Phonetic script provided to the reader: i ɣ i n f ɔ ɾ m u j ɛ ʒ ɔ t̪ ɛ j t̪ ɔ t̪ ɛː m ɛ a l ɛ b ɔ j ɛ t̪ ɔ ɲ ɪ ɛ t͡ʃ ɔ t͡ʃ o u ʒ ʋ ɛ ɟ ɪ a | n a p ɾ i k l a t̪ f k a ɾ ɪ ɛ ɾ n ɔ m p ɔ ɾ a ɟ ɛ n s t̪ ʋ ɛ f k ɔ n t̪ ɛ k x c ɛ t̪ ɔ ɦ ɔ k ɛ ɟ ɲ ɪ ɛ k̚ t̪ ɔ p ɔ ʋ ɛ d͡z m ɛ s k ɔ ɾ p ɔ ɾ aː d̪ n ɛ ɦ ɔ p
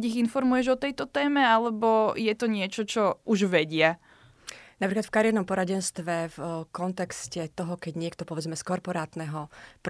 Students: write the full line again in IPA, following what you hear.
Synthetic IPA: i ɣ i n f ɔ ɾ m u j ɛ ʒ ɔ t̪ ɛ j t̪ ɔ t̪ ɛː m ɛ a l ɛ b ɔ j ɛ t̪ ɔ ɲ ɪ ɛ t͡ʃ ɔ t͡ʃ ɔ u ʒ ʋ ɛ ɟ ɪ a | n a p ɾ i k l a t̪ f k a ɾ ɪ ɛ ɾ n ɔ m p ɔ ɾ a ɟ ɛ n s t̪ ʋ ɛ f k ɔ n t̪ ɛ k s c ɛ t̪ ɔ ɦ ɔ k ɛ ɟ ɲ ɪ ɛ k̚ t̪ ɔ p ɔ ʋ ɛ d͡z m ɛ s k ɔ ɾ p ɔ ɾ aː t̪ n ɛ ɦ ɔ p